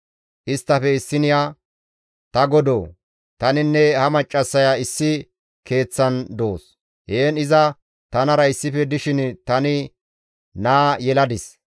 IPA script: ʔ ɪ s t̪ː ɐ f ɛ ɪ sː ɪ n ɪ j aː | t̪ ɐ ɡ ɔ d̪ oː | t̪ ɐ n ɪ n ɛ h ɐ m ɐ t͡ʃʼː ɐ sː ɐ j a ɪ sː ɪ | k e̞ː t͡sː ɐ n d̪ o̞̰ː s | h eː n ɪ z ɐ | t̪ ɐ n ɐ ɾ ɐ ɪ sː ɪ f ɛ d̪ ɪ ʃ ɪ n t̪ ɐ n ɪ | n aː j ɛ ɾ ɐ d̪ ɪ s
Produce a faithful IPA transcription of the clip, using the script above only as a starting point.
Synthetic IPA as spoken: ʔ ɪ s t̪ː ɐ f ɛ ɪ sː ɪ n ɪ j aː | t̪ ɐ ɡ ɔ d̪ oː | t̪ ɐ n ɪ nː ɛ h ɐ m ɐ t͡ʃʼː ɐ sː ɐ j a ɪ sː ɪ | k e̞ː t͡sː ɐ n d̪ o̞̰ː s | h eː n ɪ z ɐ | t̪ ɐ n ɐ ɾ ɐ ɪ sː ɪ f ɛ d̪ ɪ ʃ ɪ n t̪ ɐ n ɪ | n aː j ɛ l ɐ d̪ ɪ s